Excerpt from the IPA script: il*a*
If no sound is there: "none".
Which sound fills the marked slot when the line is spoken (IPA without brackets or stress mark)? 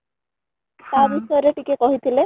e